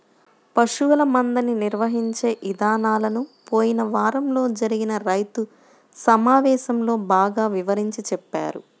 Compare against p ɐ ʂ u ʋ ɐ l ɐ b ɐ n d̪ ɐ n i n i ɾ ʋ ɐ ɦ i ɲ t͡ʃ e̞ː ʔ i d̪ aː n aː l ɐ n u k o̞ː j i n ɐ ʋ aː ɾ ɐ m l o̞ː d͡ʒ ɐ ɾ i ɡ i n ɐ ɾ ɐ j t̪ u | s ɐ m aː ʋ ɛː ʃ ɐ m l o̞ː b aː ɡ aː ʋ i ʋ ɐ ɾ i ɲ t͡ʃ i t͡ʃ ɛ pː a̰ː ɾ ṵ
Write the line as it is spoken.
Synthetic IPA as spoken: p ɐ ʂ u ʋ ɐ l ɐ m ɐ n d̪ ɐ n i n i ɾ ʋ ɐ ɦ i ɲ t͡ʃ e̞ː ʔ i d̪ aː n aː l ɐ n u p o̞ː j i n ɐ ʋ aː ɾ ɐ m l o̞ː d͡ʒ ɐ ɾ i ɡ i n ɐ ɾ ɐ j t̪ u | s ɐ m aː ʋ ɛː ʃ ɐ m l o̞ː b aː ɡ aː ʋ i ʋ ɐ ɾ i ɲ t͡ʃ i t͡ʃ ɛ pː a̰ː ɾ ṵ

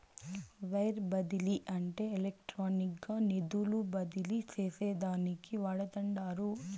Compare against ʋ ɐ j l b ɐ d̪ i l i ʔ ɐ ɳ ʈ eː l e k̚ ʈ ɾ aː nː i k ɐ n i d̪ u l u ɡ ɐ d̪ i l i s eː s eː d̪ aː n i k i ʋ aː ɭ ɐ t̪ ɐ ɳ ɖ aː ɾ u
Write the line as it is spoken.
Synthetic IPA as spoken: ʋ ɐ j ɾ b ɐ d̪ i l i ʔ ɐ ɳ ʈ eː l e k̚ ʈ ɾ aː n i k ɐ n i d̪ u l u b ɐ d̪ i l i s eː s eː d̪ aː n i k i ʋ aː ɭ ɐ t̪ ɐ ɳ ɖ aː ɾ u

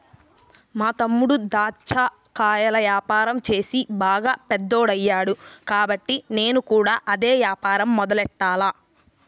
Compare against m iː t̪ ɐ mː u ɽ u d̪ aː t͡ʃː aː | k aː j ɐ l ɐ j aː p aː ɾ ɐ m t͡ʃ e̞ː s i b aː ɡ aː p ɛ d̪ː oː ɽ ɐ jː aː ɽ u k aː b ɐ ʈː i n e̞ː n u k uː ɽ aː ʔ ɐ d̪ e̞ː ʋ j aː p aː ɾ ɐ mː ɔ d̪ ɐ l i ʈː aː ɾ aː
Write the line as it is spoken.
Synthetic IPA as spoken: m aː t̪ ɐ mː u ɽ u d̪ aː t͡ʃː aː | k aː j ɐ l ɐ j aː p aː ɾ ɐ m t͡ʃ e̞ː s i b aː ɡ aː p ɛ d̪ː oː ɽ ɐ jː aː ɽ u k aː b ɐ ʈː i n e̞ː n u k uː ɽ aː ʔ ɐ d̪ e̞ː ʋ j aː p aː ɾ ɐ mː ɔ d̪ ɐ l ɛ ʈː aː l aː

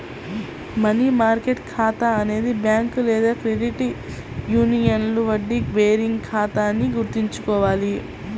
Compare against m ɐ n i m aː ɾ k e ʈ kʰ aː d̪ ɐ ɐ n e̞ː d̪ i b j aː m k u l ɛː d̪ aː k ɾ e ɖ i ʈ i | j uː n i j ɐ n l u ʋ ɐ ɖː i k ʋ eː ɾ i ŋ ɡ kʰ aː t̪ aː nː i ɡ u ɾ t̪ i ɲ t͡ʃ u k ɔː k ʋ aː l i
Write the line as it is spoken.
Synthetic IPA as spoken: m ɐ n i m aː ɾ k e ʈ kʰ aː t̪ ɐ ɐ n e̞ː d̪ i b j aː ŋ k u l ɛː d̪ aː k ɾ e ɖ i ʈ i | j uː n i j ɐ n l u ʋ ɐ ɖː i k ʋ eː ɾ i ŋ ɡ kʰ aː t̪ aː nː i ɡ u ɾ t̪ i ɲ t͡ʃ u k ɔː ʋ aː l i

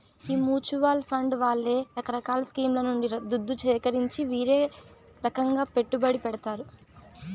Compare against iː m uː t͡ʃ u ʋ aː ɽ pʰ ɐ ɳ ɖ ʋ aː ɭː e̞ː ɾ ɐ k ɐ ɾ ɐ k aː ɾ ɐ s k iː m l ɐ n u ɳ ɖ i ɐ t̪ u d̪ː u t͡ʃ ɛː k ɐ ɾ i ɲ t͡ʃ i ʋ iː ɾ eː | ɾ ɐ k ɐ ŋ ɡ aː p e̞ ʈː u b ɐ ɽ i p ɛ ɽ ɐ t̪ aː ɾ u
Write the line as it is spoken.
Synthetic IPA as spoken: iː m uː t͡ʃ u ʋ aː l pʰ ɐ ɳ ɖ ʋ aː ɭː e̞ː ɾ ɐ k ɐ ɾ ɐ k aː l ɐ s k iː m l ɐ n u ɳ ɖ i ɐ d̪ u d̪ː u t͡ʃ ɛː k ɐ ɾ i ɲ t͡ʃ i ʋ iː ɾ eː | ɾ ɐ k ɐ ŋ ɡ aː p e̞ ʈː u b ɐ ɽ i p ɛ ɽ ɐ t̪ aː ɾ u

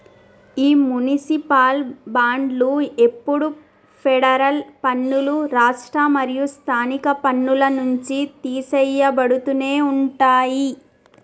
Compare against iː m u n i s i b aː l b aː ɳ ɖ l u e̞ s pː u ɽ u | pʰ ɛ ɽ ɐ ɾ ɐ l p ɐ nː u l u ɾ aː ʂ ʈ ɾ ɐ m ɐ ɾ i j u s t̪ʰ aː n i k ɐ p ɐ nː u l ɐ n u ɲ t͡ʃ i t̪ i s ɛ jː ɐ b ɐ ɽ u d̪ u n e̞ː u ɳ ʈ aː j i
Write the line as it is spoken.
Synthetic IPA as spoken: iː m u n i s i p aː l b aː ɳ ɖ l u e̞ pː u ɽ u | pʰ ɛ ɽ ɐ ɾ ɐ l p ɐ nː u l u ɾ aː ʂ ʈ ɾ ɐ m ɐ ɾ i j u s t̪ʰ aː n i k ɐ p ɐ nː u l ɐ n u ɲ t͡ʃ i t̪ iː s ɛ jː ɐ b ɐ ɽ u t̪ u n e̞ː u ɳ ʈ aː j i

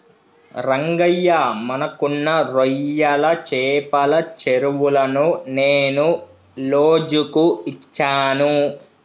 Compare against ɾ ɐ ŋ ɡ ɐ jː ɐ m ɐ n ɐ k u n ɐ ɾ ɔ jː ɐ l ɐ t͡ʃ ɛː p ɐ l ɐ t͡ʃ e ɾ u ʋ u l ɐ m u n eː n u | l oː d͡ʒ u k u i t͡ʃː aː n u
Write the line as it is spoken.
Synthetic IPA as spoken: ɾ ɐ ŋ ɡ ɐ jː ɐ m ɐ n ɐ k u nː ɐ ɾ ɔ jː ɐ l ɐ t͡ʃ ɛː p ɐ l ɐ t͡ʃ e ɾ u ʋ u l ɐ n u n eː n u | l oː d͡ʒ u k u i t͡ʃː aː n u

